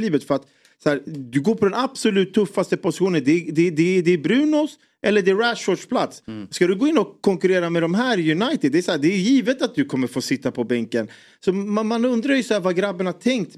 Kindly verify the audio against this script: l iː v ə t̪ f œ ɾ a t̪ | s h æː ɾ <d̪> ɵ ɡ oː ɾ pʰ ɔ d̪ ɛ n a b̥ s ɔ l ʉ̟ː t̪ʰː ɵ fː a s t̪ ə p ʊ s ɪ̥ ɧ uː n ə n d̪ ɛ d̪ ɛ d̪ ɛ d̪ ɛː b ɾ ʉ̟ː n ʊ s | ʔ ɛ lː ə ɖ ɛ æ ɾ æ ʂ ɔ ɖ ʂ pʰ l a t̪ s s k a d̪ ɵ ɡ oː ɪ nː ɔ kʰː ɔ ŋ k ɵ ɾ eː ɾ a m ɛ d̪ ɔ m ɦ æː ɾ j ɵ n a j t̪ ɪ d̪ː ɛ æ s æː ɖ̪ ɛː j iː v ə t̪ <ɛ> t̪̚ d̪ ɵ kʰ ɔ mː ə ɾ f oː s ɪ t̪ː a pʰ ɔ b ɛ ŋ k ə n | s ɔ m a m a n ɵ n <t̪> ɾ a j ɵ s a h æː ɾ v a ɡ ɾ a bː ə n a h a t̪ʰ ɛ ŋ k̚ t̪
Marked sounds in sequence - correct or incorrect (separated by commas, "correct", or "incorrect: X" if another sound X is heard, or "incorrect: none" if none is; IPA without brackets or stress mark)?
correct, incorrect: a, incorrect: d̪